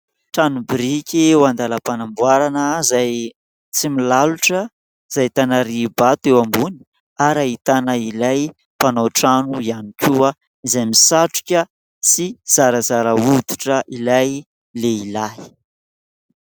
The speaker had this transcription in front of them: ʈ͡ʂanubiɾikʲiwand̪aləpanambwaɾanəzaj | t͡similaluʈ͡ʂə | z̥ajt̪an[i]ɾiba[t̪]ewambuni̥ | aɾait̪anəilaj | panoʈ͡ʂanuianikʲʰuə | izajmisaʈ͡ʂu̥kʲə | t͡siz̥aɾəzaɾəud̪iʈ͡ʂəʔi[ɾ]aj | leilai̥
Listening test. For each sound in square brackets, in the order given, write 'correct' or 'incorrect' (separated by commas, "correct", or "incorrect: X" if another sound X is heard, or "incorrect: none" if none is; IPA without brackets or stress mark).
incorrect: a, correct, incorrect: l